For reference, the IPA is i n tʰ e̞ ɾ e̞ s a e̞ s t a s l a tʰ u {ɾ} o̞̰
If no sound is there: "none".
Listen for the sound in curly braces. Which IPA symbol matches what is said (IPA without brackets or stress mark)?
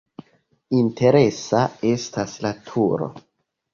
ɾ